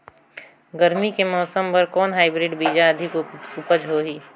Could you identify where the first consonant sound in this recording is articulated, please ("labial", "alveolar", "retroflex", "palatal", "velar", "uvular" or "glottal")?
velar